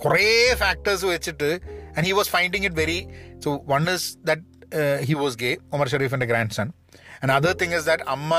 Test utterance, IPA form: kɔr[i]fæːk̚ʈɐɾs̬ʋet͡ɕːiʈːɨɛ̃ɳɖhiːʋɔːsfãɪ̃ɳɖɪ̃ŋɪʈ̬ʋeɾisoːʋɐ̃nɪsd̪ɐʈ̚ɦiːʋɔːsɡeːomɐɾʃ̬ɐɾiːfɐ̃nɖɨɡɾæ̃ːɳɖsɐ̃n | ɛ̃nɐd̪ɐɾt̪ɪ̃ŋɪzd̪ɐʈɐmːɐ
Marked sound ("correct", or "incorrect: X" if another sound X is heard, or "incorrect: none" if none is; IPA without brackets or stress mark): incorrect: e